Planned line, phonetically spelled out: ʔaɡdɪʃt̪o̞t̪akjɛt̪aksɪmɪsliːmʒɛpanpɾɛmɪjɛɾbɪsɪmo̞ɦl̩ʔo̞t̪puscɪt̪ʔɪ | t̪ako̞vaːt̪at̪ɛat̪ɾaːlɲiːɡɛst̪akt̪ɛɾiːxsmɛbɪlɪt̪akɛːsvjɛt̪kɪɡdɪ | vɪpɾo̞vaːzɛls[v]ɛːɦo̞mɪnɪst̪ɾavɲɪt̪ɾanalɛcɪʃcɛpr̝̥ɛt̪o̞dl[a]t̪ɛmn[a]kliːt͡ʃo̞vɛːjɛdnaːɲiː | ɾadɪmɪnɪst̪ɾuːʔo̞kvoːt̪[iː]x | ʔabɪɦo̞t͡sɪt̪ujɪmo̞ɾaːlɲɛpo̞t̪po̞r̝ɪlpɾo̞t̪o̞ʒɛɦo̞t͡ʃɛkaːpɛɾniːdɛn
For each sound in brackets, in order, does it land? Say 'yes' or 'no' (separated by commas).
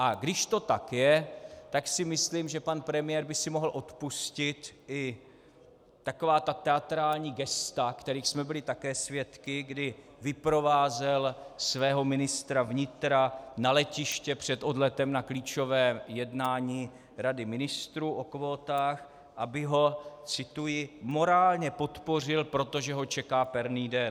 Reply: yes, no, yes, no